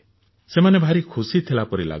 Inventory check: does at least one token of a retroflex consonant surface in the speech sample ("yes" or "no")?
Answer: no